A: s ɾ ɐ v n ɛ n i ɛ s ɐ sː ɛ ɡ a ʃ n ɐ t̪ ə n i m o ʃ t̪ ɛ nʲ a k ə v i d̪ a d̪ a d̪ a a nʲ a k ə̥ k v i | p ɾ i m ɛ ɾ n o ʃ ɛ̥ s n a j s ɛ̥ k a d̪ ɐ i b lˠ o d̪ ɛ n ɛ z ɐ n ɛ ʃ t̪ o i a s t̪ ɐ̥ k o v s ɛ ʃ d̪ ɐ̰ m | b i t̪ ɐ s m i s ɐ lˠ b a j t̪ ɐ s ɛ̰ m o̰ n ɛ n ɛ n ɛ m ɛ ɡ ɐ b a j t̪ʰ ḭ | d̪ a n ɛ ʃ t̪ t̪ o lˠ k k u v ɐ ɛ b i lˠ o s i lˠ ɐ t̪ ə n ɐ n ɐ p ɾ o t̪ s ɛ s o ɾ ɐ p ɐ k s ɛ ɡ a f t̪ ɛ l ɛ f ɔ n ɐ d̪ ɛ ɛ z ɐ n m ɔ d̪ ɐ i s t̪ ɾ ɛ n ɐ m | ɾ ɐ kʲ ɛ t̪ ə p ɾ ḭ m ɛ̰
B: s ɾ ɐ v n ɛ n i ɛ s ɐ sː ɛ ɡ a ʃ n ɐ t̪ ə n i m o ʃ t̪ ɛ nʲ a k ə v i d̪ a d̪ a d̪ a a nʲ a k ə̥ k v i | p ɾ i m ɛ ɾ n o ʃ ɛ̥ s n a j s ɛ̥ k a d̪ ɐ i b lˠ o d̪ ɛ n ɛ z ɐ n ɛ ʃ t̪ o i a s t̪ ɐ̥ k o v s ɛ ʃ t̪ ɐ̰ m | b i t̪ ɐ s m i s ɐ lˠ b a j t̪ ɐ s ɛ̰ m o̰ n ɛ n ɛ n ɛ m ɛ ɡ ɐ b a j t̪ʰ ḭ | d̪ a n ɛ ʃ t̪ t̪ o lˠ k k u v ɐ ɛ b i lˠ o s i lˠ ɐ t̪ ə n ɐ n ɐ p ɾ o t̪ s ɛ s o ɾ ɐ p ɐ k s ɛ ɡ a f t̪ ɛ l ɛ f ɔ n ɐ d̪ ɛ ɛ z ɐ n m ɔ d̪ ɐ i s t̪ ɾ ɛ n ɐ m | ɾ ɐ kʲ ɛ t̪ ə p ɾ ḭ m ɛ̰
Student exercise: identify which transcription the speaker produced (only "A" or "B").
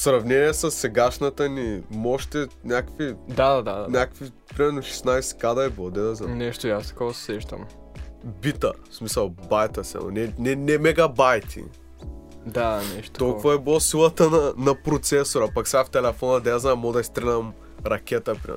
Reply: B